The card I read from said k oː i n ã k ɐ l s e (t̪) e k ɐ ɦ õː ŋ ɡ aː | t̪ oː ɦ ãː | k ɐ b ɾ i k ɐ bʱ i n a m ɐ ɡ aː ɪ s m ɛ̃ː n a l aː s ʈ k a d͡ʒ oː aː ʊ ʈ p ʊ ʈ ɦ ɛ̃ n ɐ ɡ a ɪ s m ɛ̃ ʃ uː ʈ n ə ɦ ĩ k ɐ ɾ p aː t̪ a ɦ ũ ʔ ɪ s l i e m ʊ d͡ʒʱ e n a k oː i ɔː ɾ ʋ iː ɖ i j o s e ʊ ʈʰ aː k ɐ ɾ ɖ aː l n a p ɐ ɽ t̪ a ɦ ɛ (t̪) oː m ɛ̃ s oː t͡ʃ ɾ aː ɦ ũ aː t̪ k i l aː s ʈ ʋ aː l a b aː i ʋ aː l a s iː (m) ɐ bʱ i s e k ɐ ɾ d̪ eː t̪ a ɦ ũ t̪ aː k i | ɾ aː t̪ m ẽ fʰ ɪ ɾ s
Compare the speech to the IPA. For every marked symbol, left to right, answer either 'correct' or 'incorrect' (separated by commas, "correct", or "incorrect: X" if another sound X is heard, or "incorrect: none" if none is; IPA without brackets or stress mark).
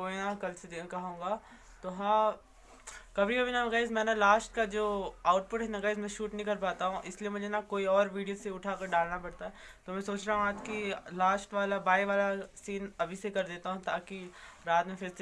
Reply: incorrect: d̪, correct, incorrect: n